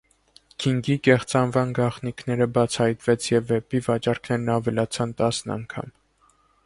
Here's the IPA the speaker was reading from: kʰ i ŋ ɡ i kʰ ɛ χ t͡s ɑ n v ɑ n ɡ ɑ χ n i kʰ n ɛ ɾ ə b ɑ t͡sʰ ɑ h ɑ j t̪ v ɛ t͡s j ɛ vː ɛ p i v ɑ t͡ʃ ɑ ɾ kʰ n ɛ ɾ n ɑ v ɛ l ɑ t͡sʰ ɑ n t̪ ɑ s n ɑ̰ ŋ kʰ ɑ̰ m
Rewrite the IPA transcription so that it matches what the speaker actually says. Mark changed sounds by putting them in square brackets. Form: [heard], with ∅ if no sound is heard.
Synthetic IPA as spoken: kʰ i ŋ ɡ i [k] ɛ χ t͡s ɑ n v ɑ n ɡ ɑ χ n i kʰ n ɛ ɾ ə b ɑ t͡sʰ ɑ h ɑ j t̪ v ɛ [t͡sʰ] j ɛ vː ɛ p i v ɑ t͡ʃ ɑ ɾ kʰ n ɛ ɾ n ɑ v ɛ l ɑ t͡sʰ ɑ n t̪ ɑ s n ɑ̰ ŋ kʰ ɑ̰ m